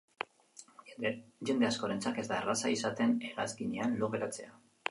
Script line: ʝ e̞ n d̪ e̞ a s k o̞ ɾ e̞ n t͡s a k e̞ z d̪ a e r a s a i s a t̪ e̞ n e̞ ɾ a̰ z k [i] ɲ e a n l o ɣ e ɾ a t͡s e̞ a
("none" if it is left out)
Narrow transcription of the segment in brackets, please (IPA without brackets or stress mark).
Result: i